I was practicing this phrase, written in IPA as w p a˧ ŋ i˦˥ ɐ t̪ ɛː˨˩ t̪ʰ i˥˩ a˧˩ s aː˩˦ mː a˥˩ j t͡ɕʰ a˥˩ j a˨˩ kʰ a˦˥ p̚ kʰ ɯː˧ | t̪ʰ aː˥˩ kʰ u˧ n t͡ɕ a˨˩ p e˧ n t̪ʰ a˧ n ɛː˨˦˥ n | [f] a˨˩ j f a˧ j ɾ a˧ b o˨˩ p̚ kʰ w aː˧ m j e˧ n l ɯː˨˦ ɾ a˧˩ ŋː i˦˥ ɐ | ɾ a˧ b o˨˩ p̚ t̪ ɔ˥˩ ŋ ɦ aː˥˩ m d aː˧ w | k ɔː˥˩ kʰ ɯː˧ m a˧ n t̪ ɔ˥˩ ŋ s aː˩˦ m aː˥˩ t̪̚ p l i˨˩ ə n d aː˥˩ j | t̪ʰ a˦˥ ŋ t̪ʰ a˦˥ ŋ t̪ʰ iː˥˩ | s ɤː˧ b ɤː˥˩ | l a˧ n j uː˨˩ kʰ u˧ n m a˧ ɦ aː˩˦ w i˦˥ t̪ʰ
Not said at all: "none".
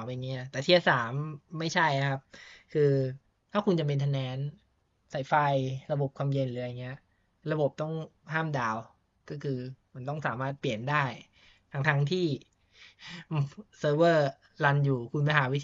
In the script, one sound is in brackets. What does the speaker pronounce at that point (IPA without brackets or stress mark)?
s